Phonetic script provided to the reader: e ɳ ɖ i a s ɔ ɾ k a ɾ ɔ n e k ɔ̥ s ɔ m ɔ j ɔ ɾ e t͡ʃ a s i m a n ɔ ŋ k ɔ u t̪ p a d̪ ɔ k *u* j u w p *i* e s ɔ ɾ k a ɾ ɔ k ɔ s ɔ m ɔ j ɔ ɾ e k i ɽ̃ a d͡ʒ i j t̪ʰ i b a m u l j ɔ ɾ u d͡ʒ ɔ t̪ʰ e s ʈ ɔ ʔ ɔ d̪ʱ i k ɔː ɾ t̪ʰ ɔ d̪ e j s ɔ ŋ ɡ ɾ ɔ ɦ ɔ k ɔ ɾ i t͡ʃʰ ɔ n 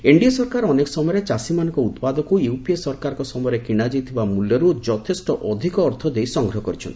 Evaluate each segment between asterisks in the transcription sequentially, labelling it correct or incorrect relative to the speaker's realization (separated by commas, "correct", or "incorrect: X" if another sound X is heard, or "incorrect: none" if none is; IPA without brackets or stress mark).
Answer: correct, correct